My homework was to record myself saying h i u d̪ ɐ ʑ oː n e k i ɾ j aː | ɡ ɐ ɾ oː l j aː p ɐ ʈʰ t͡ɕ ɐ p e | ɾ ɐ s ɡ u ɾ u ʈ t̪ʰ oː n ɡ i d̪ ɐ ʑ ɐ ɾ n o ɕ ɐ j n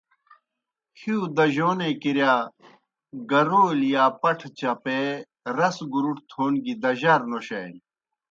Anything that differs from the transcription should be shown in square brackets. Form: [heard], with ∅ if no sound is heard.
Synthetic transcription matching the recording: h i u d̪ ɐ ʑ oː n e k i ɾ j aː | ɡ ɐ ɾ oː l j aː p ɐ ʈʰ t͡ɕ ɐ p e | ɾ ɐ s ɡ u ɾ u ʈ t̪ʰ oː n ɡ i d̪ ɐ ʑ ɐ ɾ n o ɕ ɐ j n